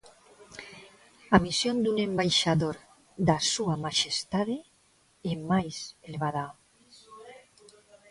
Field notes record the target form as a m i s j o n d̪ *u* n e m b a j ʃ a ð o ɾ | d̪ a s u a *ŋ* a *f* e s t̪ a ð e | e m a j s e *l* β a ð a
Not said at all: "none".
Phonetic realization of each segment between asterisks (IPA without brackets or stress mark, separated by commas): u, m, ʃ, l